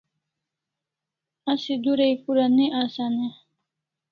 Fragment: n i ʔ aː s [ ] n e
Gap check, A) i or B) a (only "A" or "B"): B